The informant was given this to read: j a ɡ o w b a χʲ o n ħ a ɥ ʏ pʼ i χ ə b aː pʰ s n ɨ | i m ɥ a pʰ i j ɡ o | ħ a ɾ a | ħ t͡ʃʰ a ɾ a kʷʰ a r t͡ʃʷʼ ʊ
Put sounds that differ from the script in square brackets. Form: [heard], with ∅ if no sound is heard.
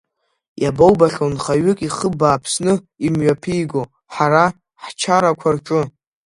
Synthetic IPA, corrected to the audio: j a [b] o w b a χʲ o n [χ] a ɥ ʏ [kʼ] i χ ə b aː pʰ s n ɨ | i m ɥ a pʰ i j ɡ o | ħ a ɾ a | ħ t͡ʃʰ a ɾ a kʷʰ a r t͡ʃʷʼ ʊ